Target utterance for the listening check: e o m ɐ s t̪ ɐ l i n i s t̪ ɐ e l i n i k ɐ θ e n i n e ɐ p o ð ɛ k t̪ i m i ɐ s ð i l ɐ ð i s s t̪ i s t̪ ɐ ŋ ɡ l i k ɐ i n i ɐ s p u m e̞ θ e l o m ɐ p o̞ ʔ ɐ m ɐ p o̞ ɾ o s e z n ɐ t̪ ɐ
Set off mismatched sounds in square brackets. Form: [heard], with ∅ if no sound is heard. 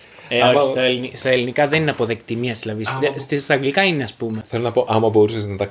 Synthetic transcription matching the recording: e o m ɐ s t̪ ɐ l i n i s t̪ ɐ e l i n i k ɐ [ð] e n i n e ɐ p o ð [e] k t̪ i m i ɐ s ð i l ɐ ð i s s t̪ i s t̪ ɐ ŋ ɡ l i k ɐ i n [e] ɐ s p u m e̞ θ e l o [n] ɐ p o̞ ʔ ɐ m ɐ [b] o̞ ɾ [u] s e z n ɐ t̪ ɐ